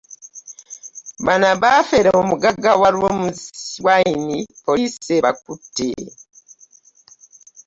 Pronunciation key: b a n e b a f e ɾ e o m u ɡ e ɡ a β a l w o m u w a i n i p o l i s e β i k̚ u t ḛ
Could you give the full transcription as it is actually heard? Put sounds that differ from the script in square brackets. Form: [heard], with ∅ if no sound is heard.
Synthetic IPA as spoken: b a n [a] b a f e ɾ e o m u ɡ [a] ɡ a [w] a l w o m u w a i n i p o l i s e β [a] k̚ u t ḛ